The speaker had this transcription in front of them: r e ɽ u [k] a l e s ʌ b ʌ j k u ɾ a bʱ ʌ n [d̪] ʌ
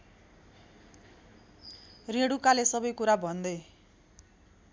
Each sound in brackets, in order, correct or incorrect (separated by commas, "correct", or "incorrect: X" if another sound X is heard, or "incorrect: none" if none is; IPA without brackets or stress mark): correct, correct